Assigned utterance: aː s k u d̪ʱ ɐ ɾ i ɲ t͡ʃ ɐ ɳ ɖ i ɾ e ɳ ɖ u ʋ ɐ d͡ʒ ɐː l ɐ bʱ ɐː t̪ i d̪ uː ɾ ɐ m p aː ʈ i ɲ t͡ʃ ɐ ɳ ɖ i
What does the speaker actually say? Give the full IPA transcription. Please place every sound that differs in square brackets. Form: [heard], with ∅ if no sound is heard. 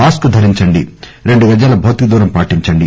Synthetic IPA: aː s k u d̪ʱ ɐ ɾ i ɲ t͡ʃ ɐ ɳ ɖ i ɾ e ɳ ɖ u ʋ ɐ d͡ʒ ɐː l ɐ bʱ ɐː t̪ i d̪ uː ɾ ɐ m p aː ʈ i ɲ t͡ʃ ɐ ɳ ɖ i